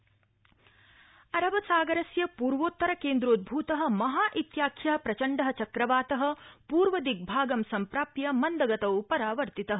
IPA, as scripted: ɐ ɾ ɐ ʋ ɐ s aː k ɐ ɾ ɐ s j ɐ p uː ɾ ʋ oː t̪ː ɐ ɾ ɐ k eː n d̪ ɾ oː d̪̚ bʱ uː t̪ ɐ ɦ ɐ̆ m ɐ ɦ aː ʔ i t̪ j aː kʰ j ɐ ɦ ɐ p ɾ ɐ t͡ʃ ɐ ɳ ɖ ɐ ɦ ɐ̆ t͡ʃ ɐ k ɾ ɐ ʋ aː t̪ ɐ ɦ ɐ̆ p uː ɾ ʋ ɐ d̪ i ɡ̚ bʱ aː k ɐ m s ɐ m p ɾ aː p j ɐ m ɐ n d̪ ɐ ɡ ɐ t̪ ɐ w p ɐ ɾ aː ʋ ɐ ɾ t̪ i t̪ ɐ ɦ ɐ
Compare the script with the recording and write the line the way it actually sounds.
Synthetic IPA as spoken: ɐ ɾ ɐ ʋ ɐ s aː ɡ ɐ ɾ ɐ s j ɐ p uː ɾ ʋ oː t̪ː ɐ ɾ ɐ k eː n d̪ ɾ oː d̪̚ bʱ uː t̪ ɐ ɦ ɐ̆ m ɐ ɦ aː ʔ i t̪ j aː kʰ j ɐ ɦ ɐ p ɾ ɐ t͡ʃ ɐ ɳ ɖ ɐ ɦ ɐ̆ t͡ʃ ɐ k ɾ ɐ ʋ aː t̪ ɐ ɦ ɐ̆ p uː ɾ ʋ ɐ d̪ i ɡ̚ bʱ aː ɡ ɐ m s ɐ m p ɾ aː p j ɐ m ɐ n d̪ ɐ ɡ ɐ t̪ ɐ w p ɐ ɾ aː ʋ ɐ ɾ t̪ i t̪ ɐ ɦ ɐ

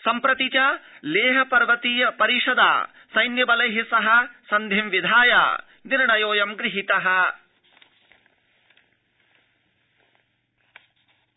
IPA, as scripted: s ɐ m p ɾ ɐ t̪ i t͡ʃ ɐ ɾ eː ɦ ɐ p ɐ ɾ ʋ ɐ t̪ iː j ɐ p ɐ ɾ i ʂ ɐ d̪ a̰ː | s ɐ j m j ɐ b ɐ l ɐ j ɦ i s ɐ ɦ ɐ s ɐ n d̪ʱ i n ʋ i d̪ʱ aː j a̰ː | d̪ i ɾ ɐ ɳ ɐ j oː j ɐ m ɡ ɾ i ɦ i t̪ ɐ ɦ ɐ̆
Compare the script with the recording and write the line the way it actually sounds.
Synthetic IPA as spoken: s ɐ m p ɾ ɐ t̪ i t͡ʃ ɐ l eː ɦ ɐ p ɐ ɾ ʋ ɐ t̪ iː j ɐ p ɐ ɾ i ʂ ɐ d̪ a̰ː | s ɐ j n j ɐ b ɐ l ɐ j ɦ i s ɐ ɦ ɐ s ɐ n d̪ʱ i m ʋ i d̪ʱ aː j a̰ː | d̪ i ɾ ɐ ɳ ɐ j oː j ɐ m ɡ ɾ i ɦ i t̪ ɐ ɦ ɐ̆

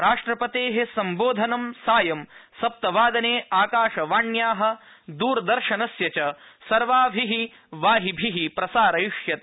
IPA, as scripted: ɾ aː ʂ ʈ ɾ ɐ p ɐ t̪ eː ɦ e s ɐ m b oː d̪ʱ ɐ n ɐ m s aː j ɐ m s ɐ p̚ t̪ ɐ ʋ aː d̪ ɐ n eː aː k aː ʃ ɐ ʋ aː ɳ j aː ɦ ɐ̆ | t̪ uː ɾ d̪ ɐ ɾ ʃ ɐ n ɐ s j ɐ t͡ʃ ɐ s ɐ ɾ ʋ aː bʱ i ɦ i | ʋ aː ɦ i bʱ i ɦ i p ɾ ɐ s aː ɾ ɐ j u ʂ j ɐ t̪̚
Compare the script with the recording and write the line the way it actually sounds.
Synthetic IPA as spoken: ɾ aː ʂ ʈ ɾ ɐ p ɐ t̪ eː ɦ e s ɐ m b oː d̪ʱ ɐ n ɐ m s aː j ɐ m s ɐ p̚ t̪ ɐ ʋ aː d̪ ɐ n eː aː k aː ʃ ɐ ʋ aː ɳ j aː ɦ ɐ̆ | d̪ uː ɾ d̪ ɐ ɾ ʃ ɐ n ɐ s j ɐ t͡ʃ ɐ s ɐ ɾ ʋ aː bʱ i ɦ i | ʋ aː ɦ i bʱ i ɦ i p ɾ ɐ s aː ɾ ɐ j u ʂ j ɐ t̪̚

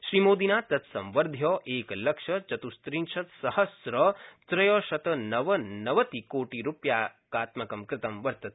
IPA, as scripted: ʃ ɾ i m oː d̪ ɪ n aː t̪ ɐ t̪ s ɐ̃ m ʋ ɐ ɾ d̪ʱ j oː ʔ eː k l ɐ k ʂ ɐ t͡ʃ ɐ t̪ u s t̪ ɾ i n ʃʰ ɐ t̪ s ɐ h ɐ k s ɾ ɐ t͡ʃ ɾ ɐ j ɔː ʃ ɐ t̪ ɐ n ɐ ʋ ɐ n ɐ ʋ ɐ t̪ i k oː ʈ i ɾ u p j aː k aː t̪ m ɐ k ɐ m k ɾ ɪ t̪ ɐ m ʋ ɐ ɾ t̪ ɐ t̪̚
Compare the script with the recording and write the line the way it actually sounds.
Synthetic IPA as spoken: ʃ ɾ i m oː d̪ i n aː t̪ ɐ t̪ s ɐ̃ m ʋ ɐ ɾ d̪ʱ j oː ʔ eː k l ɐ k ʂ ɐ t͡ʃ ɐ t̪ u s t̪ ɾ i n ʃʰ ɐ t̪ s ɐ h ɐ s ɾ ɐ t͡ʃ ɾ ɐ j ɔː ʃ ɐ t̪ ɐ n ɐ ʋ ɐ n ɐ ʋ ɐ t̪ i k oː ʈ i ɾ u p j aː k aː t̪ m ɐ k ɐ m k ɾ ɪ t̪ ɐ m ʋ ɐ ɾ t̪ ɐ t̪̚

